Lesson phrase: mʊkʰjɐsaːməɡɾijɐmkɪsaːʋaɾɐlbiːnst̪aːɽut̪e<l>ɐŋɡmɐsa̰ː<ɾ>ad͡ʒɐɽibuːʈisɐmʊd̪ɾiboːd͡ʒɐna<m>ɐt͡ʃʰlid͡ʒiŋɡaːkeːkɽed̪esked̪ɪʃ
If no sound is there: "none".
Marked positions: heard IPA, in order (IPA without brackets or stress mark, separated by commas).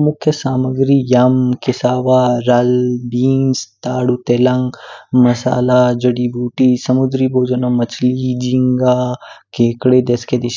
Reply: l, l, m